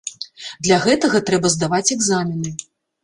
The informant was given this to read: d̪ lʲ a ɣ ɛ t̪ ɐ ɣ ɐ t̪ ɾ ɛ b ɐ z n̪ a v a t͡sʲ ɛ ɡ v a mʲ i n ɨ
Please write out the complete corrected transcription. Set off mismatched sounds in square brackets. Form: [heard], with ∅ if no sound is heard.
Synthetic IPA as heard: d̪ lʲ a ɣ ɛ t̪ ɐ ɣ ɐ t̪ ɾ ɛ b ɐ z [d̪] a v a t͡sʲ ɛ ɡ [z] a mʲ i n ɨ